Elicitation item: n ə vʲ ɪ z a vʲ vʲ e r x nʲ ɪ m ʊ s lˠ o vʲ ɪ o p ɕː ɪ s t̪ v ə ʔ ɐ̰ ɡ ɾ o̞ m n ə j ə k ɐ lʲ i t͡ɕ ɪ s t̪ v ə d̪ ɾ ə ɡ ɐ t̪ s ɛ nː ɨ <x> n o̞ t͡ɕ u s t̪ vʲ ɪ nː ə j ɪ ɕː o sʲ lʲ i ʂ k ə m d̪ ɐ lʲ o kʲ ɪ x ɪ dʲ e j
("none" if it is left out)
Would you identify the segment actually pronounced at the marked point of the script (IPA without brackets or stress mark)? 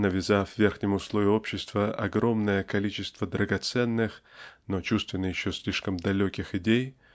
x